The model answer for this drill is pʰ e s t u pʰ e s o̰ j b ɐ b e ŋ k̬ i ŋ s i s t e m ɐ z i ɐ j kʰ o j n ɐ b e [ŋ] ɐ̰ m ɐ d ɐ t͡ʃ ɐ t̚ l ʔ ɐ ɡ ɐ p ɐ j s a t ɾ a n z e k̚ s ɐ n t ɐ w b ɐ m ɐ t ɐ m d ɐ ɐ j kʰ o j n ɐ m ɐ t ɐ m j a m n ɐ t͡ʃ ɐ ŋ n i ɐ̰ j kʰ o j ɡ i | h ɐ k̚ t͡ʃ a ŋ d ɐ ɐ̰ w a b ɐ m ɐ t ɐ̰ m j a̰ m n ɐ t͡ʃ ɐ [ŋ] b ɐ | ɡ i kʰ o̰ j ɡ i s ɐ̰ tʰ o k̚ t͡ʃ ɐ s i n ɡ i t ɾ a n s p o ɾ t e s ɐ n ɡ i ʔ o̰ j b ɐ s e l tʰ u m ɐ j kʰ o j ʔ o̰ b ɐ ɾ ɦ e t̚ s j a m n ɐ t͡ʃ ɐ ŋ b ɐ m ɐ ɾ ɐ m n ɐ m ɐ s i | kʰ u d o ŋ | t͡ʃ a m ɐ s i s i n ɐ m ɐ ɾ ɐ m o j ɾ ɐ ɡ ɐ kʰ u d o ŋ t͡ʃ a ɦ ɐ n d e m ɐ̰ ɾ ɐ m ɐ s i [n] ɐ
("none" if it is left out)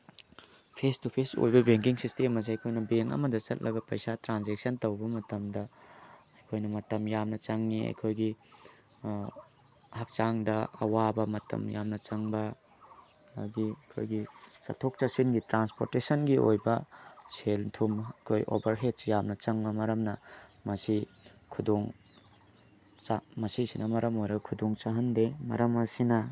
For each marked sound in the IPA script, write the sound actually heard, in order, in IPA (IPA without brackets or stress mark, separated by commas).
ŋ, ŋ, n